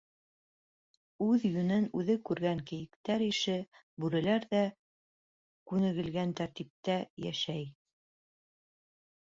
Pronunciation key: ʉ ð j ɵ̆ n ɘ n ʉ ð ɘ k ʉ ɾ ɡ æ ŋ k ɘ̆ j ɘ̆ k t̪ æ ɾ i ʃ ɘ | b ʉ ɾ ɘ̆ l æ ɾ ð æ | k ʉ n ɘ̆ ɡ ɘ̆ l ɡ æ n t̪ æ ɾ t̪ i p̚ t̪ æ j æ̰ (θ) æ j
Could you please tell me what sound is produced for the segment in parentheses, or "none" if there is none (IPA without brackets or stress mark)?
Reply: ʃ